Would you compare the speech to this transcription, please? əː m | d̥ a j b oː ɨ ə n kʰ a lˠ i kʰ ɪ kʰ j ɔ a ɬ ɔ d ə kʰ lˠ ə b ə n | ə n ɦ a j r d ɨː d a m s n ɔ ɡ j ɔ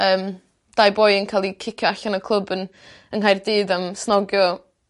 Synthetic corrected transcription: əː m | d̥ a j b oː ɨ ə n kʰ a lˠ i kʰ ɪ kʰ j ɔ a ɬ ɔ n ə kʰ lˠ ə b ə n | ə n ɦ a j r d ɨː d a m s n ɔ ɡ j ɔ